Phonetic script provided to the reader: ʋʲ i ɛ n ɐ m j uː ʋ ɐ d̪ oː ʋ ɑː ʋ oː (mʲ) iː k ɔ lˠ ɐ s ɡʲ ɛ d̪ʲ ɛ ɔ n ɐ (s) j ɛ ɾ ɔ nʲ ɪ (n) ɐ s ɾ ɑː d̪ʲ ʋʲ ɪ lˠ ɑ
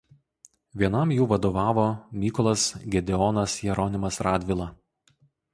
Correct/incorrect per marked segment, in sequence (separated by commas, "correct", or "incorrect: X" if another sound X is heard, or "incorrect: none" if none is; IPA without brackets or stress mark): correct, correct, incorrect: m